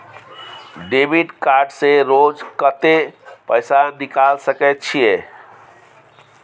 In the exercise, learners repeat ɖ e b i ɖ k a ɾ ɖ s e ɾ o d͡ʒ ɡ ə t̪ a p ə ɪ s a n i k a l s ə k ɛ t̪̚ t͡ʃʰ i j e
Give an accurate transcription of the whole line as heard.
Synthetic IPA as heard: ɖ e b i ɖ k a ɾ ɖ s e ɾ o d͡ʒ k ə t̪ e p ə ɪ s a n i k a l s ə k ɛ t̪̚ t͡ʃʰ i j e